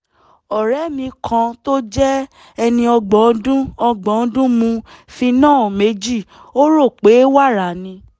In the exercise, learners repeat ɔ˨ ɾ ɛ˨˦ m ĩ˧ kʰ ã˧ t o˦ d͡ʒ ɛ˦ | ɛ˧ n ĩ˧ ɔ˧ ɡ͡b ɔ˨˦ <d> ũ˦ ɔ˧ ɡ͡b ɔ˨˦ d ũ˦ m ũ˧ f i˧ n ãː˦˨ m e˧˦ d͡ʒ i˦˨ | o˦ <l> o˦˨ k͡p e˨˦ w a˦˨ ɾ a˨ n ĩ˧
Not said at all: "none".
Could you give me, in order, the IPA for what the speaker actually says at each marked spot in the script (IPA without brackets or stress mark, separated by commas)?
d, ɾ